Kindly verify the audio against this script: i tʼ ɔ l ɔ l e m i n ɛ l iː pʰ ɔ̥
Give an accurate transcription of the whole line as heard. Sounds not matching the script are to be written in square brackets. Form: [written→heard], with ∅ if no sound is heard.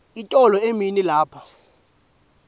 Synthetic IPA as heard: i tʼ ɔ l ɔ [l→∅] e m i n [ɛ→i] l [iː→aː] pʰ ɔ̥